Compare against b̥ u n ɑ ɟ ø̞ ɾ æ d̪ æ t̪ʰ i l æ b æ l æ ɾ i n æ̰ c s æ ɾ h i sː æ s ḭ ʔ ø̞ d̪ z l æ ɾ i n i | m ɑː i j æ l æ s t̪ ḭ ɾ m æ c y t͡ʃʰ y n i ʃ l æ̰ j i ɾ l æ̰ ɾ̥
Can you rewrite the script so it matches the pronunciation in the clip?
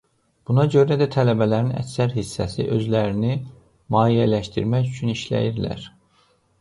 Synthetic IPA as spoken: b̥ u n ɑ ɟ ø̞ ɾ æ d̪ æ t̪ʰ æ l æ b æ l æ ɾ i n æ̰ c s æ ɾ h i sː æ s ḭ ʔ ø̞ z l æ ɾ i n i | m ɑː i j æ l æ ʃ t̪ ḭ ɾ m æ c y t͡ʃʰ y n i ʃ l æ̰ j i ɾ l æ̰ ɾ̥